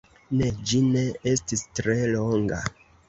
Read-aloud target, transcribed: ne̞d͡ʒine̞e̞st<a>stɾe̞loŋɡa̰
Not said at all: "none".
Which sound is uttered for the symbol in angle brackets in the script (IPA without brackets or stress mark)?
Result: i